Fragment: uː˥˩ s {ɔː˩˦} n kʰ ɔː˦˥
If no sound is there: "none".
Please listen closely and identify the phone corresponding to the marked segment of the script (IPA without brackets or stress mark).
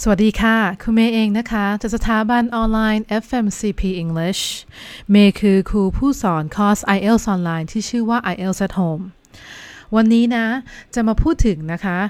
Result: ɔː˩˦